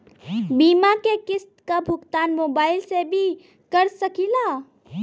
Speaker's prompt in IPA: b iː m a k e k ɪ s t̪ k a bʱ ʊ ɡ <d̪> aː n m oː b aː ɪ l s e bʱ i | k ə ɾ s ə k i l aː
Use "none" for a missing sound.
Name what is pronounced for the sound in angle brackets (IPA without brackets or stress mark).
t̪